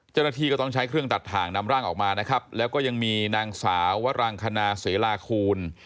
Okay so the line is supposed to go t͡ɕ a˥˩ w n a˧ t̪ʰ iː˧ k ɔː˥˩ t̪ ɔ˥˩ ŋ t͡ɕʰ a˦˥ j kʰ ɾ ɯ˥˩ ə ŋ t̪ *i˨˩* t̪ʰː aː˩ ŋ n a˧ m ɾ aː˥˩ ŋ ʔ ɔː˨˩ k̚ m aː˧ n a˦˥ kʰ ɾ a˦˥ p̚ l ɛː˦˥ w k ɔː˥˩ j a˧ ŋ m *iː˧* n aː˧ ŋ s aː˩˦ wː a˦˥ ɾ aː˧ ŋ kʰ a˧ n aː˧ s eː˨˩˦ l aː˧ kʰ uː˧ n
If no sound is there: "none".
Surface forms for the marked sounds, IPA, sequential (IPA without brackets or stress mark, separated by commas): a˨˩, iː˧